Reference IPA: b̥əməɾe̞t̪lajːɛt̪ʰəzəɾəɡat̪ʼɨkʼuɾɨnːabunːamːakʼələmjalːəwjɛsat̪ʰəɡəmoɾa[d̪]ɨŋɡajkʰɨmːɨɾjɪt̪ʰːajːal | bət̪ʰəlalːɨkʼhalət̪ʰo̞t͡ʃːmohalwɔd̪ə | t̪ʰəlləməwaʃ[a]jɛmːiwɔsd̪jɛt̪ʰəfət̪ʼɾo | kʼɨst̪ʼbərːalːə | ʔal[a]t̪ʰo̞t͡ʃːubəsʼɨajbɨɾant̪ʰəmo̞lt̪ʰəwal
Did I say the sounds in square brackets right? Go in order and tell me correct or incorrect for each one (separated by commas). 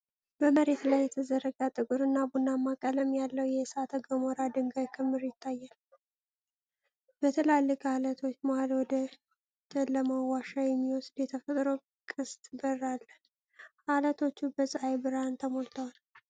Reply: correct, correct, incorrect